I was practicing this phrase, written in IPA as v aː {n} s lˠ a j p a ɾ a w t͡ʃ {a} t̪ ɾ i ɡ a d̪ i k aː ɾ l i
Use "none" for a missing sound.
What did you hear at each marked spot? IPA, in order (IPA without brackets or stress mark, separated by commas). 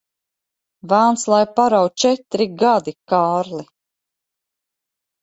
n, ɛ